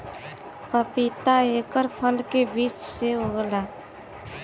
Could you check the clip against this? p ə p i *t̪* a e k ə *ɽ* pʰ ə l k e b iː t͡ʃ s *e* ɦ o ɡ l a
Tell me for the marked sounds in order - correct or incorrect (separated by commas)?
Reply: correct, incorrect, correct